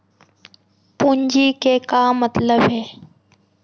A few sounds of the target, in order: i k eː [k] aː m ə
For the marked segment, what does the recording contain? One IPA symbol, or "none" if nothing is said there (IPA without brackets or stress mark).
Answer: k